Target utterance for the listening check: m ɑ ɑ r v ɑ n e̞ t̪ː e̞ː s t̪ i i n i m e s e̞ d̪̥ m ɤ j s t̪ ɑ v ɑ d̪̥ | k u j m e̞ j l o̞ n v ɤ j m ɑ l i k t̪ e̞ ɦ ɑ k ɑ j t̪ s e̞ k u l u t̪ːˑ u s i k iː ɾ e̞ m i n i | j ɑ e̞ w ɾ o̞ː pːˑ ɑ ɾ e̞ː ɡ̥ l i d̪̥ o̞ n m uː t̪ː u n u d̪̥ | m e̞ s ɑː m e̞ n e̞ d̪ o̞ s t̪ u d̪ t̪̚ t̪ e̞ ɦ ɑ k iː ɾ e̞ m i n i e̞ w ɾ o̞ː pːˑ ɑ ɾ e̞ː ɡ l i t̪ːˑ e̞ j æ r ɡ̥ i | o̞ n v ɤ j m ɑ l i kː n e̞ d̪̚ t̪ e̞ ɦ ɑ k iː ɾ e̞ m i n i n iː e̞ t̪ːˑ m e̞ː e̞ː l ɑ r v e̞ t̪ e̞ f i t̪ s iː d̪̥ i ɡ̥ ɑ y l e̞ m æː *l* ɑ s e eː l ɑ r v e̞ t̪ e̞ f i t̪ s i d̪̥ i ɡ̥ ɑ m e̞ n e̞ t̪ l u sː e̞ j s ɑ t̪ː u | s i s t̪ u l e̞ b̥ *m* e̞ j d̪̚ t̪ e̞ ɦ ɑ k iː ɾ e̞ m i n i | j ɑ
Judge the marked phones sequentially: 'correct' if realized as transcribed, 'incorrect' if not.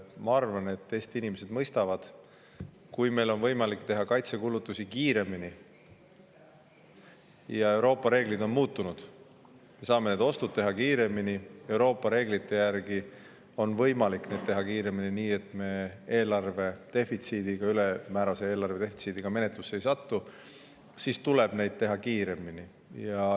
incorrect: ɾ, incorrect: n

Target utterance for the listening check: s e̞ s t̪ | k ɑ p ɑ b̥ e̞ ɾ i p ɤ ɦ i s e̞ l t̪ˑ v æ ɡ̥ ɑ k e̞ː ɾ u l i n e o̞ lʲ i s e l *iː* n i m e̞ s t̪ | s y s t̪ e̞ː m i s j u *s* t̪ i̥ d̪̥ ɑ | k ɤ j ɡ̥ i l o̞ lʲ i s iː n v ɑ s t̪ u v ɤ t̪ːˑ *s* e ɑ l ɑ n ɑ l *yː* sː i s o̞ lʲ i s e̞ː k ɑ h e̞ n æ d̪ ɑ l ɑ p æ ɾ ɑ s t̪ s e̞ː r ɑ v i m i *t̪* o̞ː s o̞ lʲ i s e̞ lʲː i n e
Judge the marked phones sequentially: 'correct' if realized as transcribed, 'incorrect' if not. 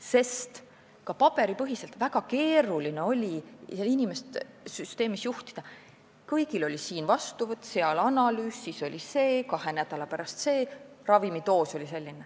incorrect: i, incorrect: h, correct, correct, correct

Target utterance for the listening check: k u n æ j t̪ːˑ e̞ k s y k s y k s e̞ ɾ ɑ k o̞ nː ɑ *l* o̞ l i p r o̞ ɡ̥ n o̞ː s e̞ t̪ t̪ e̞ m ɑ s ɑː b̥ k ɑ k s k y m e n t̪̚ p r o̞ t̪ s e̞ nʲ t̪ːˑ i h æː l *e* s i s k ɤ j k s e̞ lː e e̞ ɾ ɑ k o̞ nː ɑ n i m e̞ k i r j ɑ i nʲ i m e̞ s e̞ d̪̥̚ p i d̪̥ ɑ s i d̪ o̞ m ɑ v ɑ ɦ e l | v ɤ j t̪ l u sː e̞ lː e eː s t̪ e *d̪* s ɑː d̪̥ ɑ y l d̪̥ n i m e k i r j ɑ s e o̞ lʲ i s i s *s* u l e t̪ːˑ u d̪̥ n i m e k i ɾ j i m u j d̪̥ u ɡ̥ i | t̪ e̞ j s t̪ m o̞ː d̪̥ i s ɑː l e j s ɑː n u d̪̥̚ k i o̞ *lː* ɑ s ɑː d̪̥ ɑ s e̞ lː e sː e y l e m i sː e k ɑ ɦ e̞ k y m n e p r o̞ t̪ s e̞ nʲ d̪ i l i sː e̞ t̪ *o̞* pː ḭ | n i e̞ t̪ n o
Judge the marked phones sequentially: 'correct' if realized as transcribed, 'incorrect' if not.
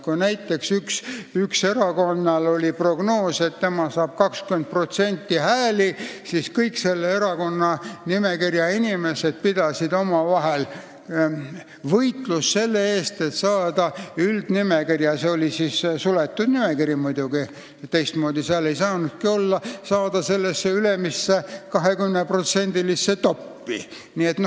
correct, incorrect: i, incorrect: t̪, correct, correct, correct

